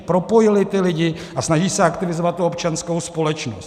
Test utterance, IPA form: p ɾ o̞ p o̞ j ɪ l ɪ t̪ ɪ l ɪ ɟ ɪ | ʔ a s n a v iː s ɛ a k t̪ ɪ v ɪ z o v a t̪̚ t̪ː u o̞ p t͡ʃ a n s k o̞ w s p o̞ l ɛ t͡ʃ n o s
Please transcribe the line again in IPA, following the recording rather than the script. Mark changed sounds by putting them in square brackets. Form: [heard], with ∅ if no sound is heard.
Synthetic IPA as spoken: p ɾ o̞ p o̞ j ɪ l ɪ t̪ ɪ l ɪ ɟ ɪ | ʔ a s n a [ʒ] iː s ɛ a k t̪ ɪ v ɪ z o v a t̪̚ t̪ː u o̞ p t͡ʃ a n s k o̞ w s p o̞ l ɛ t͡ʃ n o s